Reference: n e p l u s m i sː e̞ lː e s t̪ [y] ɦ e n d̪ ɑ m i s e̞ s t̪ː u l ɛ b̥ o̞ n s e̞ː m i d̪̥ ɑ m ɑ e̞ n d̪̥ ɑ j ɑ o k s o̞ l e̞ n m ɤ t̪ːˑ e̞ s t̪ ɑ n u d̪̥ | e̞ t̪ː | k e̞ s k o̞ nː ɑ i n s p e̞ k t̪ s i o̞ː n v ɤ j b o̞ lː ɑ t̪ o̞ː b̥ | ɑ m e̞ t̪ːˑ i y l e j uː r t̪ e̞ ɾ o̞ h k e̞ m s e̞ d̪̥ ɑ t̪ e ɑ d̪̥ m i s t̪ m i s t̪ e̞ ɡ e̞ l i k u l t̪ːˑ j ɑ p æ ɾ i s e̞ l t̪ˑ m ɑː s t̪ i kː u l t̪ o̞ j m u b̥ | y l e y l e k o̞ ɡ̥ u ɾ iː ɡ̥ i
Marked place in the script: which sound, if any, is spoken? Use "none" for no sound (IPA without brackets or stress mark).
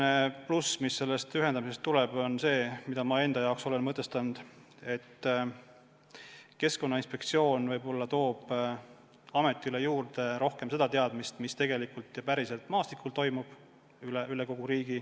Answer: y